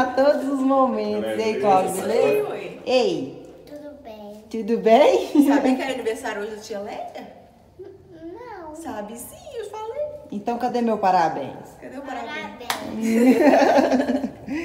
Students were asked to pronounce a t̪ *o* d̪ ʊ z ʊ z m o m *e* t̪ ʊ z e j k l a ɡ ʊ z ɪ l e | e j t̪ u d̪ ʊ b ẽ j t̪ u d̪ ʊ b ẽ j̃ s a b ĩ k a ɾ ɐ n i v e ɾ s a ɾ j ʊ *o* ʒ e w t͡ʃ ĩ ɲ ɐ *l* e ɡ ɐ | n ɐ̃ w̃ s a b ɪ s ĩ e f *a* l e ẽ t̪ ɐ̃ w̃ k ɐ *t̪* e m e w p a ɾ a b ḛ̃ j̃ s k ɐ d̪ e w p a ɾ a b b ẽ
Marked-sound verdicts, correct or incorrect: correct, incorrect: ẽ, correct, correct, correct, incorrect: d̪

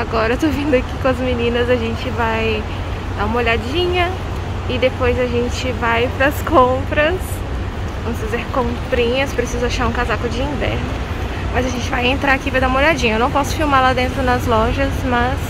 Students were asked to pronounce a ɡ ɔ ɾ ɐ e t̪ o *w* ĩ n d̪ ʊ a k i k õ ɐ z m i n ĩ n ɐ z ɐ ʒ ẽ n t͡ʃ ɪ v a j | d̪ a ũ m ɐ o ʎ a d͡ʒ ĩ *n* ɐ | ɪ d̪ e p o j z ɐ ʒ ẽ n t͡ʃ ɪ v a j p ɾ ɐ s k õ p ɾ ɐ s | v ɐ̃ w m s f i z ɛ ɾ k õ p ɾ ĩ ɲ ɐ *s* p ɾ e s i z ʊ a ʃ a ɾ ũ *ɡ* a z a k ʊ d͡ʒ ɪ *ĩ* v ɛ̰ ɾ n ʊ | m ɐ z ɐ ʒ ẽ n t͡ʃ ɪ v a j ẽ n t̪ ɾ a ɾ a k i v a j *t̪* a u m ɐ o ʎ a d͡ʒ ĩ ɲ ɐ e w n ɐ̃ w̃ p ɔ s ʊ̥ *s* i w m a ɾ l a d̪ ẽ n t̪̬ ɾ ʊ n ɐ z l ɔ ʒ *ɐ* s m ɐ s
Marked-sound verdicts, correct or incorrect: incorrect: v, incorrect: ɲ, correct, incorrect: k, correct, incorrect: d̪, incorrect: f, correct

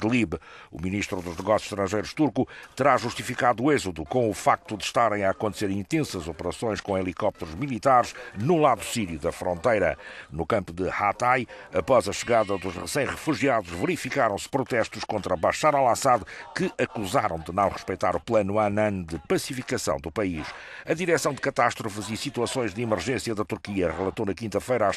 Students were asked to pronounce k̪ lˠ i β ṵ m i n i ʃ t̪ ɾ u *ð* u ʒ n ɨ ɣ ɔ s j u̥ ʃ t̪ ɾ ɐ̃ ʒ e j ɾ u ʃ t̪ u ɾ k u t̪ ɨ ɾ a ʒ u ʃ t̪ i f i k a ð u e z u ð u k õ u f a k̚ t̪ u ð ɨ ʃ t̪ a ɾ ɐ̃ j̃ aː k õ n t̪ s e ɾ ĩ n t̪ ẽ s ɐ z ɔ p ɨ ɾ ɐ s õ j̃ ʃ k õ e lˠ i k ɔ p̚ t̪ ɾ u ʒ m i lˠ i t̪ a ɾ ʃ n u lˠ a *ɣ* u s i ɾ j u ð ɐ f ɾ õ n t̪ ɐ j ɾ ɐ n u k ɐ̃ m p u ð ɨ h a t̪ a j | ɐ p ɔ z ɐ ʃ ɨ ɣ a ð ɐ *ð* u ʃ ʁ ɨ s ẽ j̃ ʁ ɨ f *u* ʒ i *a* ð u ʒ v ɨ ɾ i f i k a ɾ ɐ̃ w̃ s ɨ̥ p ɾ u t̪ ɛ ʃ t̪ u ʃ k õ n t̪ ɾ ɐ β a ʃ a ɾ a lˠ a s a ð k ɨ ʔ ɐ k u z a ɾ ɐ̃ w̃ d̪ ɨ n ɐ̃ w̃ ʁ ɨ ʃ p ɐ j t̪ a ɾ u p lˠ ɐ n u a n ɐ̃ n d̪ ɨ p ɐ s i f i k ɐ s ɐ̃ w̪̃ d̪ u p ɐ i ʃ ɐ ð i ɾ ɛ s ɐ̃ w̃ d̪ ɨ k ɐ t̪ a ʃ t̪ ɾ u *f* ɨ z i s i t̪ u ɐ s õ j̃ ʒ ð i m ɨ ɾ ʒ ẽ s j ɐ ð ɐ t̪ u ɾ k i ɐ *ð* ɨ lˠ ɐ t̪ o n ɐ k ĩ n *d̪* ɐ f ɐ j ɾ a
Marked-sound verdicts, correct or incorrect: correct, incorrect: ð, correct, correct, correct, correct, incorrect: ʁ, incorrect: t̪

